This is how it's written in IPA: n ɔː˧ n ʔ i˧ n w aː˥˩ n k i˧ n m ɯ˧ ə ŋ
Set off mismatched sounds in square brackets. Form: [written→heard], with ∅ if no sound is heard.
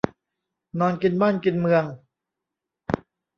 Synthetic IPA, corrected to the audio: n ɔː˧ n [ʔ→k] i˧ n [w→b] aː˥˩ n k i˧ n m ɯ˧ ə ŋ